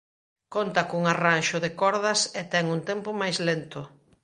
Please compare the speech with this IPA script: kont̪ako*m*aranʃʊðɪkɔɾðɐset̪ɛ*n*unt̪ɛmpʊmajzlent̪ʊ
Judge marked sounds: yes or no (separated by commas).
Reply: no, no